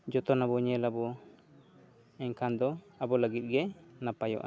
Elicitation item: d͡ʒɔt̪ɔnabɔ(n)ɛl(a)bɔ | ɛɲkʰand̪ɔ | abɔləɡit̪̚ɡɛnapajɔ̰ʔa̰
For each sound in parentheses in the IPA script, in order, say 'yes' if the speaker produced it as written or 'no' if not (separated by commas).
no, yes